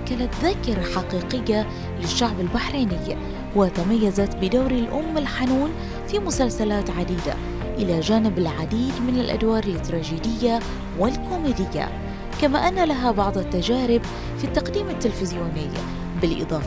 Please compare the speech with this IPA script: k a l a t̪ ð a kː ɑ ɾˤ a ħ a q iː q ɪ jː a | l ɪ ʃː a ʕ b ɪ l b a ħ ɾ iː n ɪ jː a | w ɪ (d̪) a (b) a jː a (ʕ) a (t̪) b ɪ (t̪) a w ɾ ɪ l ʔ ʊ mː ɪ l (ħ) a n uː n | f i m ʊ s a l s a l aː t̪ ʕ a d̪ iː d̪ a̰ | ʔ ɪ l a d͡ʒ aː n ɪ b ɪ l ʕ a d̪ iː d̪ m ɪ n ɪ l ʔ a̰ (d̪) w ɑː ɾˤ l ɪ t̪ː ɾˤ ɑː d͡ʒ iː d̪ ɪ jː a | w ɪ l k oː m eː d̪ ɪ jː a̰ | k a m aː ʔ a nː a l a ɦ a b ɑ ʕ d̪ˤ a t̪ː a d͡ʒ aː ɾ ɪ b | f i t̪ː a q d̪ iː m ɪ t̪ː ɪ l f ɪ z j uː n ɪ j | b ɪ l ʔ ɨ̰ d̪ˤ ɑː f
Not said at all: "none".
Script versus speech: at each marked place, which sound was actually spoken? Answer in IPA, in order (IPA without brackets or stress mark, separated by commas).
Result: t̪, m, z, t̪, d̪, ħ, d̪